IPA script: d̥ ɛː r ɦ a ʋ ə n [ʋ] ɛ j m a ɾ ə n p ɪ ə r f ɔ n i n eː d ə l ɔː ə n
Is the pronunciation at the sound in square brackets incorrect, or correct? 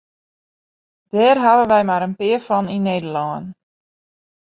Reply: correct